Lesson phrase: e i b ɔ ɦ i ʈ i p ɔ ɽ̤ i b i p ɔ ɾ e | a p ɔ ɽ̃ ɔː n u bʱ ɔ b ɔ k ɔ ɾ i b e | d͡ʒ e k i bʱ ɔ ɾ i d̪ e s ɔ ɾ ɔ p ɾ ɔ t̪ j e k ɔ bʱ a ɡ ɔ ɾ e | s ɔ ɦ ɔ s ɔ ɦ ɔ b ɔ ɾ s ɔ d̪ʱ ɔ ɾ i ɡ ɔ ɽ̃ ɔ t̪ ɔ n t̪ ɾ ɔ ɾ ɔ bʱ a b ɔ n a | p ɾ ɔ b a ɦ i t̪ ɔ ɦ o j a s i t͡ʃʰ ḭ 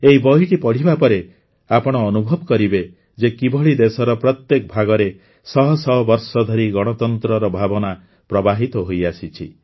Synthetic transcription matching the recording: e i b ɔ ɦ i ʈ i p ɔ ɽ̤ i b a p ɔ ɾ e | a p ɔ ɽ̃ ɔː n u bʱ ɔ b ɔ k ɔ ɾ i b e | d͡ʒ e k i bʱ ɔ ɭ i d̪ e s ɔ ɾ ɔ p ɾ ɔ t̪ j e k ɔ bʱ a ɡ ɔ ɾ e | s ɔ ɦ ɔ s ɔ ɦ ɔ b ɔ ɾ s ɔ d̪ʱ ɔ ɾ i ɡ ɔ ɽ̃ ɔ t̪ ɔ n t̪ ɾ ɔ ɾ ɔ bʱ a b ɔ n a | p ɾ ɔ b a ɦ i t̪ ɔ ɦ o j a s i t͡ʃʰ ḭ